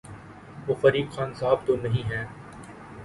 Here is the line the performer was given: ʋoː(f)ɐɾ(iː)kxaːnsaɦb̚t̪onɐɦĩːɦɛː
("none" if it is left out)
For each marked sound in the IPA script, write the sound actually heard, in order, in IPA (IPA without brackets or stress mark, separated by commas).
f, iː